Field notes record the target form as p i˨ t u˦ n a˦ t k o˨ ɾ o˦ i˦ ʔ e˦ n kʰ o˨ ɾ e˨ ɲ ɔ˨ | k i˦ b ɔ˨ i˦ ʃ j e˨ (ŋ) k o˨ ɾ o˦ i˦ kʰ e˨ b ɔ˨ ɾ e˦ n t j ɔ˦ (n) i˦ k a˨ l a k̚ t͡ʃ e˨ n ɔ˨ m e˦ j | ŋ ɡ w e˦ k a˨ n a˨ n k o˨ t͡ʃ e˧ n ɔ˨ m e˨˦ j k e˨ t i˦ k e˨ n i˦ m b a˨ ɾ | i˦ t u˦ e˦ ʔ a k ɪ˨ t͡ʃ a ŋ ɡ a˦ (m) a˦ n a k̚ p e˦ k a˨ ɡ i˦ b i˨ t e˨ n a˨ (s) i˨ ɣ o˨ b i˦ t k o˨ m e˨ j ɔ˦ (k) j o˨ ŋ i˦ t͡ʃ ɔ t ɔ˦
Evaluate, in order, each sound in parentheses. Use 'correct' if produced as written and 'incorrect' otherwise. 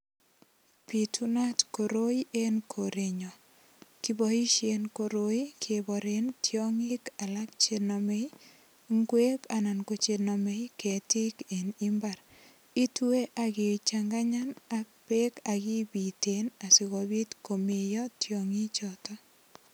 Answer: incorrect, incorrect, incorrect, correct, incorrect

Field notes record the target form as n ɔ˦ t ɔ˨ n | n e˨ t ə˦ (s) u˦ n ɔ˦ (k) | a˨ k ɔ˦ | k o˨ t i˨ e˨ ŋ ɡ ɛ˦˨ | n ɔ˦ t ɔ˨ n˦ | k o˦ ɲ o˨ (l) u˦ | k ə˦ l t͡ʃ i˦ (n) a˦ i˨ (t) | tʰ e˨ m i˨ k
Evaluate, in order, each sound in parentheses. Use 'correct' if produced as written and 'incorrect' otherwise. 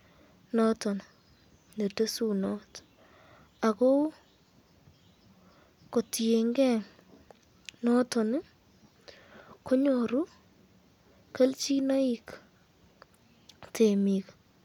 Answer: correct, incorrect, incorrect, correct, incorrect

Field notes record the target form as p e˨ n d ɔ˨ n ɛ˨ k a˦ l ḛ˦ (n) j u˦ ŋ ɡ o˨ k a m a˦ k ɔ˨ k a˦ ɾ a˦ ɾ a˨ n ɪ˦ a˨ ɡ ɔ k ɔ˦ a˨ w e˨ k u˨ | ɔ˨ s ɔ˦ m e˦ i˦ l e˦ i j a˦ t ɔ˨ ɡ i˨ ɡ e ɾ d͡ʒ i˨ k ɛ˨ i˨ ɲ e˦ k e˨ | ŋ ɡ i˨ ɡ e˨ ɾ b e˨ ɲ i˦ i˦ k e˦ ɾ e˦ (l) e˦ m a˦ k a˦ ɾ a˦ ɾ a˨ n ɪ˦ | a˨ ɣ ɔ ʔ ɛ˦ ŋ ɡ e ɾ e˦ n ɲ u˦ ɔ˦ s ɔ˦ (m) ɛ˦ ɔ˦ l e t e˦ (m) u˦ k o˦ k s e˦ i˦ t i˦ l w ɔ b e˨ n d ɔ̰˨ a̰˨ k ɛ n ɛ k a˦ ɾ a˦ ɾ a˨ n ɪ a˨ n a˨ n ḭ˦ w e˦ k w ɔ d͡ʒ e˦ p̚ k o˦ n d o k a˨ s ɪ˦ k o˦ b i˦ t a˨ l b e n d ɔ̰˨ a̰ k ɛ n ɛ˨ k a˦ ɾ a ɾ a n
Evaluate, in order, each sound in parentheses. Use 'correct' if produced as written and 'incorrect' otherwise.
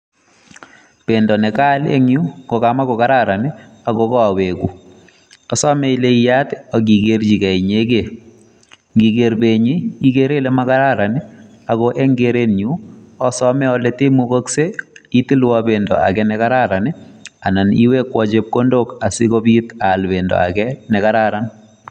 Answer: incorrect, correct, correct, correct

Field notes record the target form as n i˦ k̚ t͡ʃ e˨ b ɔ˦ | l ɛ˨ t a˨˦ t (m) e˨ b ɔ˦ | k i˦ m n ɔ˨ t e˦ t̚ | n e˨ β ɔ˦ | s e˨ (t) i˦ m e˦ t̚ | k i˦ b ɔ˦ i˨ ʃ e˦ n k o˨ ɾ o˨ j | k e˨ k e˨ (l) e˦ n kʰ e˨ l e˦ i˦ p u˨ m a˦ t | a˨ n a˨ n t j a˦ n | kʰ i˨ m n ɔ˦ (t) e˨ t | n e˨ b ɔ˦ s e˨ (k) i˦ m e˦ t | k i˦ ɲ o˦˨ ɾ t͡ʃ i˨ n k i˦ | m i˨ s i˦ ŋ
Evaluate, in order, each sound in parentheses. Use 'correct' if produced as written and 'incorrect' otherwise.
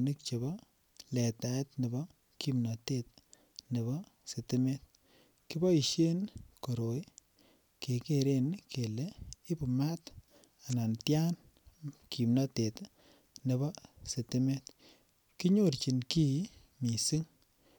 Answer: incorrect, correct, incorrect, correct, incorrect

